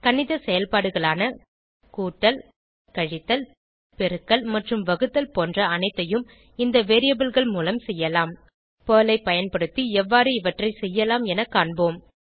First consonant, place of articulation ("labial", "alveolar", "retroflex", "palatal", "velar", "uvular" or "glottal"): velar